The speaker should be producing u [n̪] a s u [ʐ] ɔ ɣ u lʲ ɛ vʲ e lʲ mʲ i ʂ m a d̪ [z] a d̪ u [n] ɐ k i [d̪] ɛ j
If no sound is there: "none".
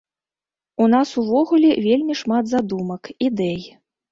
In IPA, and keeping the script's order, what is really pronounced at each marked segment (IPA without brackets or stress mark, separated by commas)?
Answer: n̪, v, z, m, d̪